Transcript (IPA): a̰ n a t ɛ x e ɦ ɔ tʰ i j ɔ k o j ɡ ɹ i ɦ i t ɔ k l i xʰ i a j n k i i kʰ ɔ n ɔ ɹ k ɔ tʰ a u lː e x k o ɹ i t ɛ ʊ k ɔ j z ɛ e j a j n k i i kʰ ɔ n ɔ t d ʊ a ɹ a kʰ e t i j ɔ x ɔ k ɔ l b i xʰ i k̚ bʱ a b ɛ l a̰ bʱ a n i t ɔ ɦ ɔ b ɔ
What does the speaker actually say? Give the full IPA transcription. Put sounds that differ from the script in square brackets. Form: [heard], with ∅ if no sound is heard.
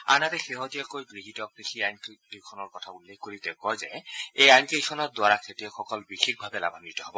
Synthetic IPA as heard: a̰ n a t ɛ x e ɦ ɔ [t] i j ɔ k o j ɡ ɹ i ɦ i t ɔ k [ɹ] i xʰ i a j n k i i kʰ ɔ n ɔ ɹ k ɔ tʰ a u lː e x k o ɹ i t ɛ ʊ k ɔ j z ɛ e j a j n k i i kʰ ɔ n ɔ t d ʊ a ɹ a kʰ e t i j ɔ x ɔ k ɔ l b i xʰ i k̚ bʱ a b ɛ l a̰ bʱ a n i t ɔ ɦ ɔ b ɔ